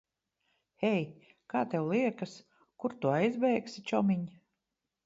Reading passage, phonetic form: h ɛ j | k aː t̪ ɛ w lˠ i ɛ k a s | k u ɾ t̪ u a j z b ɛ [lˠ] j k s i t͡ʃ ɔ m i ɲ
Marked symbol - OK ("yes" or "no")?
no